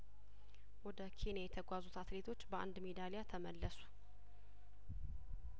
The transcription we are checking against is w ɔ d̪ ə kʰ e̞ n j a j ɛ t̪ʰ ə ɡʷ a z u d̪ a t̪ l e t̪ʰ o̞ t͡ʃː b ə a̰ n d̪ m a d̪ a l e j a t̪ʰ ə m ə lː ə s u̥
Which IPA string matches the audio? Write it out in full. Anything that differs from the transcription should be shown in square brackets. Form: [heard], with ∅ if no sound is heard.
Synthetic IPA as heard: w ɔ d̪ ə kʰ e̞ n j a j ɛ t̪ʰ ə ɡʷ a z u [t̪] a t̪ l e t̪ʰ o̞ t͡ʃː b ə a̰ n d̪ m [e] d̪ a l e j a t̪ʰ ə m ə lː ə s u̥